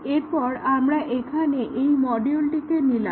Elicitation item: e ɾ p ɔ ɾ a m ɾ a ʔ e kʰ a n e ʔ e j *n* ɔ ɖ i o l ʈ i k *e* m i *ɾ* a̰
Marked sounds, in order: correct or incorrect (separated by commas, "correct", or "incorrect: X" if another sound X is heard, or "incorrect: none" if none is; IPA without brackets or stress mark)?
incorrect: m, correct, incorrect: l